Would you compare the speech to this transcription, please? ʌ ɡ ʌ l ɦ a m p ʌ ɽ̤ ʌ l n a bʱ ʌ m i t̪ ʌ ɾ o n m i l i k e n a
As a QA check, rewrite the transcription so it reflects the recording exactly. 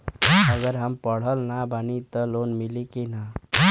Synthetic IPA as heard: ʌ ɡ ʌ ɾ ɦ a m p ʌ ɽ̤ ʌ l n a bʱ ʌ n i t̪ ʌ l o n m i l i k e n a